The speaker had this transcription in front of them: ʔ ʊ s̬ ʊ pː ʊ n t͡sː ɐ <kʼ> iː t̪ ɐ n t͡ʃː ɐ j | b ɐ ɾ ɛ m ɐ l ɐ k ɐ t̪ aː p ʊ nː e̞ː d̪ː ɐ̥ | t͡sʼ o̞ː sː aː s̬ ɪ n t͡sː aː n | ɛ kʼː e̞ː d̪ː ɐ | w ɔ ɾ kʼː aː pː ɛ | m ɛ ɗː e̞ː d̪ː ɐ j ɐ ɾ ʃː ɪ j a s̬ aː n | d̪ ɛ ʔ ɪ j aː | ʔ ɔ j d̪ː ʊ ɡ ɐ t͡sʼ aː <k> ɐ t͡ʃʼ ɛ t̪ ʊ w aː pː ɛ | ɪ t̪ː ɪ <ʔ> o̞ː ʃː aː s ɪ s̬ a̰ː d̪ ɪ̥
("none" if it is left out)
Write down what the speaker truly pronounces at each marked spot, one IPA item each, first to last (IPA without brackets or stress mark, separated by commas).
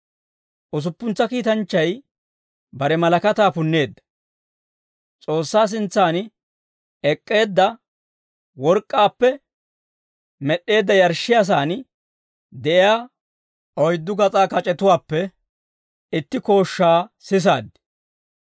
k, k, k